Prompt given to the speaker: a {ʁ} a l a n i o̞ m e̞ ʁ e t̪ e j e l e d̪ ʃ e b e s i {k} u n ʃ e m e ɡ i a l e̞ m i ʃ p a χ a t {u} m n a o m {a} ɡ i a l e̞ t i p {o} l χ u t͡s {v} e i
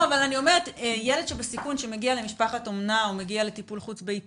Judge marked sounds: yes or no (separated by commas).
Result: no, yes, no, no, no, no